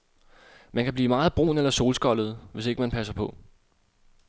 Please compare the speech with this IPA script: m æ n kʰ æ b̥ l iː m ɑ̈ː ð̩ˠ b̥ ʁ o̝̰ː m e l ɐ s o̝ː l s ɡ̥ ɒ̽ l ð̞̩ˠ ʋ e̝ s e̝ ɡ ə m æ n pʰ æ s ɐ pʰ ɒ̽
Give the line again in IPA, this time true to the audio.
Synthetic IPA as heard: m æ n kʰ æ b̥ l iː m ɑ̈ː ð̩ˠ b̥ ʁ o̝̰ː n e l ɐ s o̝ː l s ɡ̥ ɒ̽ l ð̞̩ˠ ʋ e̝ s e̝ ɡ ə m æ n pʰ æ s ɐ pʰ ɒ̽